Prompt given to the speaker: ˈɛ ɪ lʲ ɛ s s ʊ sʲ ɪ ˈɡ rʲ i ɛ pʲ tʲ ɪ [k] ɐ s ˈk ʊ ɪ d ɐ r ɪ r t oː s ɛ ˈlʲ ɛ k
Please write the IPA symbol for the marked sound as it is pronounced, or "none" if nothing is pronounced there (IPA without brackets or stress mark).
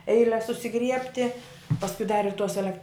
p